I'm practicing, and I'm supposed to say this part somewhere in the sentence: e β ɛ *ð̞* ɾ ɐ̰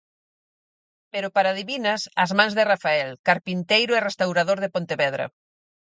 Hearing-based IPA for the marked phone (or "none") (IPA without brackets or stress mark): ð̞